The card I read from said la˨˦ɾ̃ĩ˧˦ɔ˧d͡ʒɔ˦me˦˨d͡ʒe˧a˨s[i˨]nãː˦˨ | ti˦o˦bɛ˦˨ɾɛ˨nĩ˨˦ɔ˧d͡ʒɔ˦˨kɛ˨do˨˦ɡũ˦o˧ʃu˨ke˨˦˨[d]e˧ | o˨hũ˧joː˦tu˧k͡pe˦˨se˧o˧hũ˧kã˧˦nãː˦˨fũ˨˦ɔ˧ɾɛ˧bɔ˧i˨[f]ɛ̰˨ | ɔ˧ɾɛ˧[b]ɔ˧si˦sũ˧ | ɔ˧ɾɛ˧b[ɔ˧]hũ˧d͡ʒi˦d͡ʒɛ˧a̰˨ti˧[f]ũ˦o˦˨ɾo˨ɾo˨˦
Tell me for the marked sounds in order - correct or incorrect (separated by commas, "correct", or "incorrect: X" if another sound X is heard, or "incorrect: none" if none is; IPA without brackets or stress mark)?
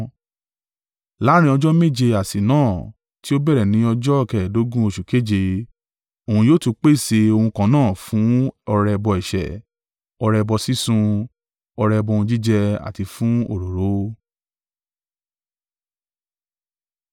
correct, incorrect: d͡ʒ, incorrect: ʃ, correct, correct, correct